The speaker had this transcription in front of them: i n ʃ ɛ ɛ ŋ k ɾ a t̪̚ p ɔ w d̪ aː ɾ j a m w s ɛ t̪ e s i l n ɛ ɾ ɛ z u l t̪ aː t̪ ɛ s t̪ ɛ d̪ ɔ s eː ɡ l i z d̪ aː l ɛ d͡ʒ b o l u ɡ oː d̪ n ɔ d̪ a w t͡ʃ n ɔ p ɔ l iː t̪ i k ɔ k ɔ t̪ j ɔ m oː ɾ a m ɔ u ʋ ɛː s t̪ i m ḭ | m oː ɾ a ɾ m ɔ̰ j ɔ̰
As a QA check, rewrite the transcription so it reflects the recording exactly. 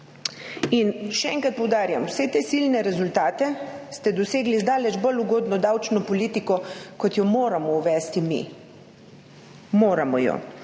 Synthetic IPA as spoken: i n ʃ ɛ ɛ ŋ k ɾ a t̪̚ p ɔ w d̪ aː ɾ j a m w s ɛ t̪ e s i l n ɛ ɾ ɛ z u l t̪ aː t̪ ɛ s t̪ ɛ d̪ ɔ s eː ɡ l i z d̪ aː l ɛ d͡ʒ b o l u ɡ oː d̪ n ɔ d̪ a w t͡ʃ n ɔ p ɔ l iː t̪ i k ɔ k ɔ t̪ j ɔ m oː ɾ a m ɔ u ʋ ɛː s t̪ i m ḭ | m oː ɾ a m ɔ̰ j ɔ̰